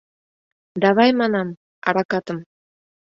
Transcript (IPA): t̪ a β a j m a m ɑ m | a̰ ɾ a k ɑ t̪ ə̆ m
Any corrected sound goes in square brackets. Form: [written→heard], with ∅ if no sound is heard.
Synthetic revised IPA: [t̪→d̪] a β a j m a [m→n] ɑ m | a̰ ɾ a k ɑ t̪ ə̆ m